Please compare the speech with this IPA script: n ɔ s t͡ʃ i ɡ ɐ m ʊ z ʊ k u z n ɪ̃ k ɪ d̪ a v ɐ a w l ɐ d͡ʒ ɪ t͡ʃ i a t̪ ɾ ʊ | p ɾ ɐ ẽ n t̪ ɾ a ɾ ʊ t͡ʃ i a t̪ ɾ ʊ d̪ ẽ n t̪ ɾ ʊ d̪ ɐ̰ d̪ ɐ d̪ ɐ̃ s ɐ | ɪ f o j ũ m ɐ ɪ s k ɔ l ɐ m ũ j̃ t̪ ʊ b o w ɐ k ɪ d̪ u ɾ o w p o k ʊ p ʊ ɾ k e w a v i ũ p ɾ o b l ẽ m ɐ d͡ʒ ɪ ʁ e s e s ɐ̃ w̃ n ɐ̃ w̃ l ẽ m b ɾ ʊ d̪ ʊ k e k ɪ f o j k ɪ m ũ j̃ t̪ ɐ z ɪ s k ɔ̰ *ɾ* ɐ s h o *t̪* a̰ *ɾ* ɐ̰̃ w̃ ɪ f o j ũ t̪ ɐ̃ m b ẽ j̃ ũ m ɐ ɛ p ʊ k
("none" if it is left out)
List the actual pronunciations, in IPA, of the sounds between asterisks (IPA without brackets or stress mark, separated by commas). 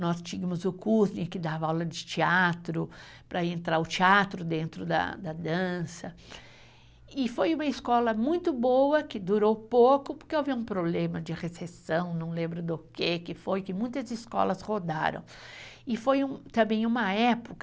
l, d̪, ɾ